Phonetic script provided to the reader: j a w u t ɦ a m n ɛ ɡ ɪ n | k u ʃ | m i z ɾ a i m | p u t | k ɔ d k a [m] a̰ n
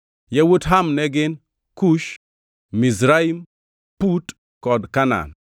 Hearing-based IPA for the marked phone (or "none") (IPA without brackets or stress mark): n